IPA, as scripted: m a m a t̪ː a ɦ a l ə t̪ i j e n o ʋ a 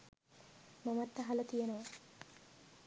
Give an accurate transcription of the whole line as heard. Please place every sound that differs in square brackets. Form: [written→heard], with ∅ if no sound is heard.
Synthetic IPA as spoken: m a m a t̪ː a ɦ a l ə t̪ i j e n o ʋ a